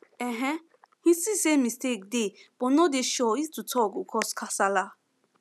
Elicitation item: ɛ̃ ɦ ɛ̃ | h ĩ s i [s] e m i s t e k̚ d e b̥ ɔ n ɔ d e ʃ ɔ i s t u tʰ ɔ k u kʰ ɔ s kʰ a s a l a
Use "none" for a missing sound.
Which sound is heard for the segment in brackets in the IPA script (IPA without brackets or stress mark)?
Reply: s